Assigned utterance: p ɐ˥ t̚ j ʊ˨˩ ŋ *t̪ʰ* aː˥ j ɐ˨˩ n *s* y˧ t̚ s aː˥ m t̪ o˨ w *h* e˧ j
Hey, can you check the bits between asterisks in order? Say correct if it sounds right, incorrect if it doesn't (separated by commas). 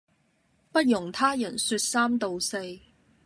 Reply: correct, correct, incorrect